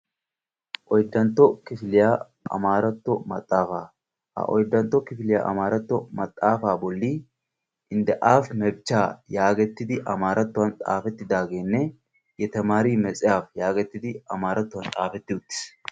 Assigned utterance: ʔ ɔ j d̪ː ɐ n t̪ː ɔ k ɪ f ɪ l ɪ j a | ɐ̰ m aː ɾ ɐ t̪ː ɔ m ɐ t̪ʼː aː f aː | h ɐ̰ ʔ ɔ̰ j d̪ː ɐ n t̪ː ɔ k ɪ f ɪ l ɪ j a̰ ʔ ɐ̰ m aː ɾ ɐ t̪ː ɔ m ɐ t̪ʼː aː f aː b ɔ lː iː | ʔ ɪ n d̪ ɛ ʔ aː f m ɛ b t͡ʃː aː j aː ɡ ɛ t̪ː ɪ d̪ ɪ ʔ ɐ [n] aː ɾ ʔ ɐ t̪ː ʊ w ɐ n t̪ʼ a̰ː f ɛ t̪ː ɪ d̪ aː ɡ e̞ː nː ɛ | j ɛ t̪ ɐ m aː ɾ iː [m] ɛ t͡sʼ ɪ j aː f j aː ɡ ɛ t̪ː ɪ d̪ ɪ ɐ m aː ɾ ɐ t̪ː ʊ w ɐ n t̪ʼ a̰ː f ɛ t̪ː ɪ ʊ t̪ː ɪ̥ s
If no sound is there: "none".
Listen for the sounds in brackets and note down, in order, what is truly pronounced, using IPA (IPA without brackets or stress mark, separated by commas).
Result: m, m